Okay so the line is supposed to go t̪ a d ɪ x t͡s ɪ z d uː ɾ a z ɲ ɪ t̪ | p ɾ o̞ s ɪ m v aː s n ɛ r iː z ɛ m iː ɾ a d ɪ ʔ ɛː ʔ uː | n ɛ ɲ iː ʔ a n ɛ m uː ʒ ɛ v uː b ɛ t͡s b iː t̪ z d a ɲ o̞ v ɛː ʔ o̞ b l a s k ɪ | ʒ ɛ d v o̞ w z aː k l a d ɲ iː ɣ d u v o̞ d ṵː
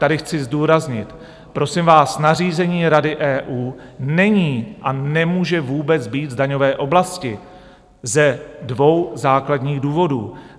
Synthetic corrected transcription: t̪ a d ɪ x t͡s ɪ z d uː ɾ a z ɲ ɪ t̪ | p ɾ o̞ s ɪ m v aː s n a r iː z ɛ ɲ iː ɾ a d ɪ ʔ ɛː ʔ uː | n ɛ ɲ iː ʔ a n ɛ m uː ʒ ɛ v uː b ɛ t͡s b iː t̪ z d a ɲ o̞ v ɛː ʔ o̞ b l a s c ɪ | z ɛ d v o̞ w z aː k l a d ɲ iː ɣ d uː v o̞ d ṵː